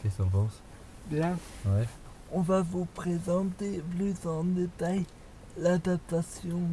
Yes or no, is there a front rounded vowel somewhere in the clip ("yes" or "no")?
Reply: yes